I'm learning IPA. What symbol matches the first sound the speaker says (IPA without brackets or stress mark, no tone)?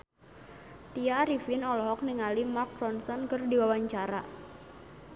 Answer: t̪